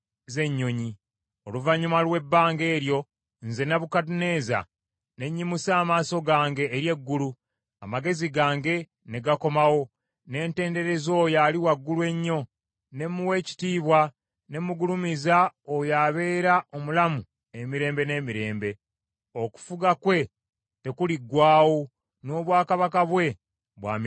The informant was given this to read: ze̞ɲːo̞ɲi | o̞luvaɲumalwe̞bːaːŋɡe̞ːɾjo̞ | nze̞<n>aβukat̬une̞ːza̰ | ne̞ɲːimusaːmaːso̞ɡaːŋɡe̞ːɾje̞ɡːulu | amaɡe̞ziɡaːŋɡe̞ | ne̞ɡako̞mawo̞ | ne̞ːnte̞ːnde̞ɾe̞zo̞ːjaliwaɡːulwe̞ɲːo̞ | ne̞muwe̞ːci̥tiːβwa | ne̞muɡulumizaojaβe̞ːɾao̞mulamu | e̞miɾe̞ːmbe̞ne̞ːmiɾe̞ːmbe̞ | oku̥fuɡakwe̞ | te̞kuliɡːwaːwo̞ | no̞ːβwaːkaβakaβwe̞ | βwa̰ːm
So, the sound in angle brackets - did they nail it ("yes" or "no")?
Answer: yes